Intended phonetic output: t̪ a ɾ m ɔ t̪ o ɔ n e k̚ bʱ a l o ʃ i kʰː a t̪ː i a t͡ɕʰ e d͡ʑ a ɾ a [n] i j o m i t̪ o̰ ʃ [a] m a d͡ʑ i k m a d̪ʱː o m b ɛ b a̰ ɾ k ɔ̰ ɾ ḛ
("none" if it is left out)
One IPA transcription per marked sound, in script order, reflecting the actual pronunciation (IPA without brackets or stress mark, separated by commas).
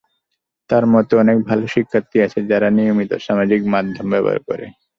n, a